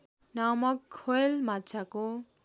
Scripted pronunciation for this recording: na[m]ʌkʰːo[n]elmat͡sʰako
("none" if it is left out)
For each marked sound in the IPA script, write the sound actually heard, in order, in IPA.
m, none

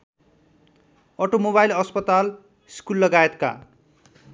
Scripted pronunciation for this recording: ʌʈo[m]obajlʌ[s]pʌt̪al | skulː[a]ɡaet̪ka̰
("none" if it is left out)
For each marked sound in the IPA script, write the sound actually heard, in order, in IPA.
m, s, ʌ

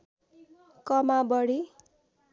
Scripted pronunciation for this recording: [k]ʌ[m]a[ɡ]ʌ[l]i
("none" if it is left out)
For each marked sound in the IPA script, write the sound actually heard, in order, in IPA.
k, m, b, ɽ

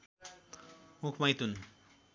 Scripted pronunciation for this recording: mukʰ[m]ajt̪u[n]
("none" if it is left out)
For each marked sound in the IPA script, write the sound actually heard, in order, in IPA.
m, n

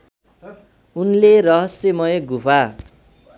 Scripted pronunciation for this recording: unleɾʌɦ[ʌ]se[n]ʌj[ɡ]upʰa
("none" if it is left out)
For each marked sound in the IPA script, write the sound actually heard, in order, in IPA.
ʌ, m, ɡ

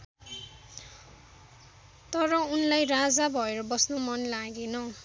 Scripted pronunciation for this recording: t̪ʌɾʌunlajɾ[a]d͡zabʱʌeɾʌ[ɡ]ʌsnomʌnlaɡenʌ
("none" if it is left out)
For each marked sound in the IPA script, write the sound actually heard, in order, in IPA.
a, b

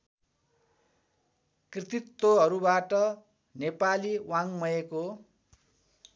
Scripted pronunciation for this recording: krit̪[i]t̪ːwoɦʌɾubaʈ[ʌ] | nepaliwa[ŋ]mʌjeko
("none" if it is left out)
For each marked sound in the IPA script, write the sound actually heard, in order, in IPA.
i, ʌ, ŋ

